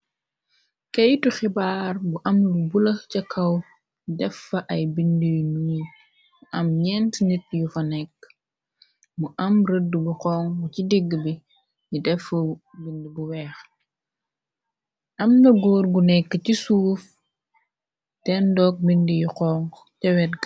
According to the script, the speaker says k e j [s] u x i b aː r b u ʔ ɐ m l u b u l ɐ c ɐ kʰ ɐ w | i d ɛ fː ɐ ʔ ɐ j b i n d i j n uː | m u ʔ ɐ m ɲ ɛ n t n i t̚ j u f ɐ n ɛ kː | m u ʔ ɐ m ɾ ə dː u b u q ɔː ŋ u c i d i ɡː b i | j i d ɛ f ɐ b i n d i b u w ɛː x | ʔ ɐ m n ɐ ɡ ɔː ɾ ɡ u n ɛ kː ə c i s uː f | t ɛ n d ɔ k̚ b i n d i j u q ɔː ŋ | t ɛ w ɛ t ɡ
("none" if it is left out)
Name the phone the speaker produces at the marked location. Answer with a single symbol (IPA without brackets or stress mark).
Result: t